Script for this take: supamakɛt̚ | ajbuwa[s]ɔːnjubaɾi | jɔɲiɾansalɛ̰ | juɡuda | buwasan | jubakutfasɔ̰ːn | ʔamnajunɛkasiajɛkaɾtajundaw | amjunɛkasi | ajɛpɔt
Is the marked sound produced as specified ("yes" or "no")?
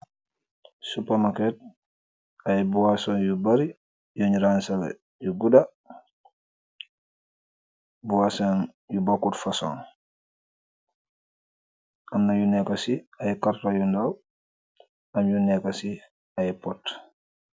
yes